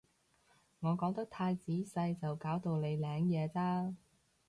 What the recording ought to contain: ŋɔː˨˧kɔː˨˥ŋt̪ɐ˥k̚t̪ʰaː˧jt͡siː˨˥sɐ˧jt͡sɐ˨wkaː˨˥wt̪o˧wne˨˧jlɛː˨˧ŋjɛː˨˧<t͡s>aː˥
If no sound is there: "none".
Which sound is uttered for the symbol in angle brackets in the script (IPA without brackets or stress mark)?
t͡s